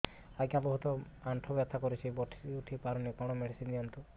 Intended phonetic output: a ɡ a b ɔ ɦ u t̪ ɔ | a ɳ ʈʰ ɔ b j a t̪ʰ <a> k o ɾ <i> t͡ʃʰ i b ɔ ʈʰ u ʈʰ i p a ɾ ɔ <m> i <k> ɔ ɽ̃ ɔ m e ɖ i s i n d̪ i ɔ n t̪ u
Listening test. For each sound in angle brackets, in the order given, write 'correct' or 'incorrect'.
correct, correct, incorrect: n, correct

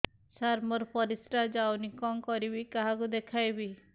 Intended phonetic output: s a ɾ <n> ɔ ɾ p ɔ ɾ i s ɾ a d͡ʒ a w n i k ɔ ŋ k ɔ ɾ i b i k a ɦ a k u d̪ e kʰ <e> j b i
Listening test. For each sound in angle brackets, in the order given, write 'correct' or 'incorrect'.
incorrect: m, incorrect: a

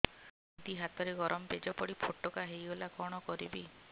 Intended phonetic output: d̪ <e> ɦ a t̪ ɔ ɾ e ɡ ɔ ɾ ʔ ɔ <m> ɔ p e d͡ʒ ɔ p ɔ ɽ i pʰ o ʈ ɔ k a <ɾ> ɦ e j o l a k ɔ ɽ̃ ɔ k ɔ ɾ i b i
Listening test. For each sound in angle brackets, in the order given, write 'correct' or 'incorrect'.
incorrect: i, correct, incorrect: none

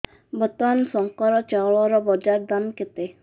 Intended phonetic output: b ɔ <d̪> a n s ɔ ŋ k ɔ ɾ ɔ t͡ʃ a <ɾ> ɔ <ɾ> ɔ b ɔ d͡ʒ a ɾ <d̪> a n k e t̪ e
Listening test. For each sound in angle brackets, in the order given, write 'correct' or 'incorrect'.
incorrect: t̪, incorrect: ɭ, correct, correct

